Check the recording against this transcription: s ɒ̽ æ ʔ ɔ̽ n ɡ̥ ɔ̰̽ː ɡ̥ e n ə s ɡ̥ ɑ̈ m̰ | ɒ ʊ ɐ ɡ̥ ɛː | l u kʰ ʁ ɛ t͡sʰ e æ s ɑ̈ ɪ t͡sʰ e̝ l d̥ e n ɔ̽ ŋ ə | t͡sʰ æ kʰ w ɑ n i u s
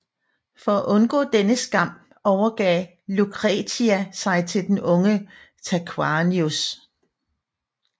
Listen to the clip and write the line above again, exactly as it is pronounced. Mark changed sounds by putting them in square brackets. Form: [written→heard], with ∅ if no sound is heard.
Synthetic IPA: [s→f] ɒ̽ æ ʔ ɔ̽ n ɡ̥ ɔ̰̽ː [ɡ̥→d̥] e n ə s ɡ̥ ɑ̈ m̰ | ɒ ʊ ɐ ɡ̥ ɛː | l u kʰ ʁ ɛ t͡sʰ [e→i] æ s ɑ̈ ɪ t͡sʰ e̝ l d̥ e n ɔ̽ ŋ ə | t͡sʰ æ kʰ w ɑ n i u s